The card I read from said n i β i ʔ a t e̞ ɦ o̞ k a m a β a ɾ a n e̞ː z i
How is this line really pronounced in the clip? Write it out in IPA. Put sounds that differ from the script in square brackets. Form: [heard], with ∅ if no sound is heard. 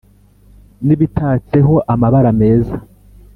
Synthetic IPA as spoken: n i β i [t] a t e̞ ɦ o̞ [ʔ] a m a β a ɾ a [m] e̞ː z [a]